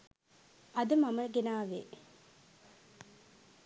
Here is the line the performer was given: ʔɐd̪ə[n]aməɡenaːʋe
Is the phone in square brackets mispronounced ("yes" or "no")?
yes